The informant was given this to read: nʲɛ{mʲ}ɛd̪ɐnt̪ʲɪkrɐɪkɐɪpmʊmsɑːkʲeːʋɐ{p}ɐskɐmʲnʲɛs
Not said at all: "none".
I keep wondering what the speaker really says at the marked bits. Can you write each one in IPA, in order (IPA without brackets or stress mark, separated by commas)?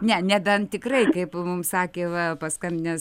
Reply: nʲ, p